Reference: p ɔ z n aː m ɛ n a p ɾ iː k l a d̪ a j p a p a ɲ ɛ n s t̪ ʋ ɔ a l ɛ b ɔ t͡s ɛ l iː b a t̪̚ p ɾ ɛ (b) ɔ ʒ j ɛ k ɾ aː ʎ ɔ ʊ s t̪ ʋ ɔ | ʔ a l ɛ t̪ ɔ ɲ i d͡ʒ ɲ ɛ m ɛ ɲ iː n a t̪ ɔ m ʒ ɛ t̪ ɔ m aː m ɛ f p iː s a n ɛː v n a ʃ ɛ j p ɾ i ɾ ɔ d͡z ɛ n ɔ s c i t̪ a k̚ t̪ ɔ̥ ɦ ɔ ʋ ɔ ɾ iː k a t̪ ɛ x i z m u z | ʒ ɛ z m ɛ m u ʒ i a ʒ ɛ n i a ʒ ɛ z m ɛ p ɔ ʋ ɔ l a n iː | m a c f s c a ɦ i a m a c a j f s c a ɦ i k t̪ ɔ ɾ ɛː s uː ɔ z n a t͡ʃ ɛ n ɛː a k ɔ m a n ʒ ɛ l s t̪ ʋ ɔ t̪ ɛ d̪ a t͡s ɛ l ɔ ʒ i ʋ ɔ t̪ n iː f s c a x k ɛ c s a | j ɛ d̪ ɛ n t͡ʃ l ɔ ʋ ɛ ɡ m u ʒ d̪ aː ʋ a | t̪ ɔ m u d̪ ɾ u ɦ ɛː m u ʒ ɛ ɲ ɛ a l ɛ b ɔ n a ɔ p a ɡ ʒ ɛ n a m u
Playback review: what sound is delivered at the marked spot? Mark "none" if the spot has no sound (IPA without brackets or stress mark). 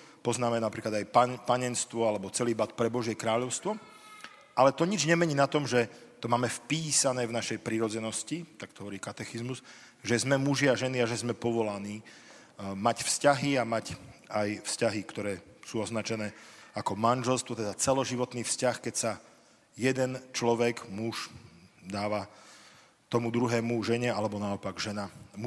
b